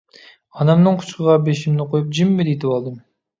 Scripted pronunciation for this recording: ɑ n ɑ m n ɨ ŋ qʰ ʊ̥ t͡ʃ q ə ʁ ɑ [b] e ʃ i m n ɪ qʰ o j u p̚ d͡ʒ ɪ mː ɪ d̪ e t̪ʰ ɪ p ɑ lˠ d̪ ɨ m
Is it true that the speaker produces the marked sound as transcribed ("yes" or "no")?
yes